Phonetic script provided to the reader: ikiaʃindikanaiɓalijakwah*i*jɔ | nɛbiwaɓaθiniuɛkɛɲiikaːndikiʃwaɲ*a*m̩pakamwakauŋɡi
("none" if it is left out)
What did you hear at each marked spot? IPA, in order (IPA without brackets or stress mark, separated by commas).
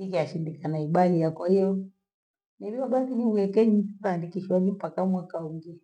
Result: i, i